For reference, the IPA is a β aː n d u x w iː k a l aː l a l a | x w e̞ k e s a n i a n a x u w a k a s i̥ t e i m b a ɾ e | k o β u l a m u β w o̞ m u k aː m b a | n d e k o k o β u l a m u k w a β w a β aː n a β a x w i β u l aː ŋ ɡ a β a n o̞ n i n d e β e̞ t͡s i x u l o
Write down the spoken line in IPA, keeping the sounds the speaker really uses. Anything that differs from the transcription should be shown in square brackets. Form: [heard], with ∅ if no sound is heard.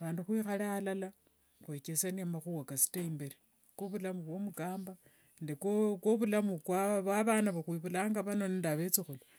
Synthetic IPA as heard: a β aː n d u x w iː [x] a l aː l a l a | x w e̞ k e s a n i a [m] a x u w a k a s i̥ t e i m b [e] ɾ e | k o β u l a m u β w o̞ m u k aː m b a | n d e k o k o β u l a m u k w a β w a β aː n a β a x w i β u l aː ŋ ɡ a β a n o̞ n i n d [a] β e̞ t͡s i x u l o